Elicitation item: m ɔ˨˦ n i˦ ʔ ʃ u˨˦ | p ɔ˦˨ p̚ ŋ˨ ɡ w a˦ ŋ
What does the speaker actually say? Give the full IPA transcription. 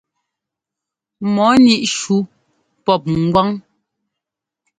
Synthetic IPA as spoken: m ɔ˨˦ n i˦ ʔ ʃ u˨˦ | p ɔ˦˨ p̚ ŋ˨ ɡ w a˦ ŋ